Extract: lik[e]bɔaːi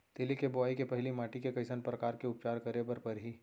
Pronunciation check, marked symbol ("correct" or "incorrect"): correct